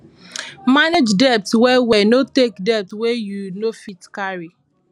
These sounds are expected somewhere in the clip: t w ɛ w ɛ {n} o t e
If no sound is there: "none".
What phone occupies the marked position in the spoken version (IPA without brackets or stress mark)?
n